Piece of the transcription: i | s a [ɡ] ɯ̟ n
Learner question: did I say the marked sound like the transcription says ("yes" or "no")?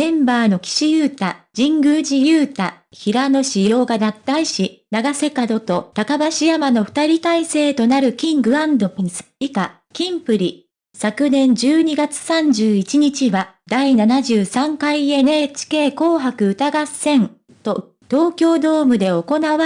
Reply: no